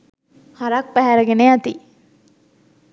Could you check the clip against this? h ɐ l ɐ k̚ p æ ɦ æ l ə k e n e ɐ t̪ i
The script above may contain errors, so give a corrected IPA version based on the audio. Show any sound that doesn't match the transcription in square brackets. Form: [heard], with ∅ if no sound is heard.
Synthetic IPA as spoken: h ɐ [ɾ] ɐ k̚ p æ ɦ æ [ɾ] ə [ɡ] e n e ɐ t̪ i